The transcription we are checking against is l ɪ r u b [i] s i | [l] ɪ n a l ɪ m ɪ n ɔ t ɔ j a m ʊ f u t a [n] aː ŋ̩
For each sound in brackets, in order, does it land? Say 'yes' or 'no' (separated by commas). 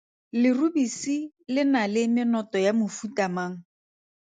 yes, yes, no